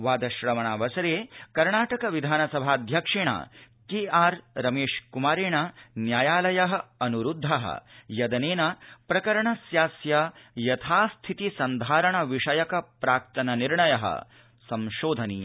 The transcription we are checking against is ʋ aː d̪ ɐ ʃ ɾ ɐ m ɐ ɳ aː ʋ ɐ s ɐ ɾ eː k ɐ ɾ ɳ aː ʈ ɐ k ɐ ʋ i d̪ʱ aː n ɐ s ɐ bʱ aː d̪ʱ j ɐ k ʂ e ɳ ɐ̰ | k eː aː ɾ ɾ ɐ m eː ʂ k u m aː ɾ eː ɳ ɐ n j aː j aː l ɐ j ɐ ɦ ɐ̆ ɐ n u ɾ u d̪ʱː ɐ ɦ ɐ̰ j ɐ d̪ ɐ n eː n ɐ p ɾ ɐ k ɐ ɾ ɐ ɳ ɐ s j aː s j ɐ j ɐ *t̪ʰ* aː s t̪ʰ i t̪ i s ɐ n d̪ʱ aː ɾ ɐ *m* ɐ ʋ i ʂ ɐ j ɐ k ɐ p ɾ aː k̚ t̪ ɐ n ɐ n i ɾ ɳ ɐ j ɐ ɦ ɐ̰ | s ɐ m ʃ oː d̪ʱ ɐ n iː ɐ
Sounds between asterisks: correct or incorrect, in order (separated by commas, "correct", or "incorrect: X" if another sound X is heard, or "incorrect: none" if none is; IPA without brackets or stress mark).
correct, incorrect: ɳ